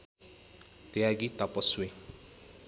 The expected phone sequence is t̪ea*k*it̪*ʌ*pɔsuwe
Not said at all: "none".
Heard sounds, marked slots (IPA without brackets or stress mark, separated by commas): ɡ, a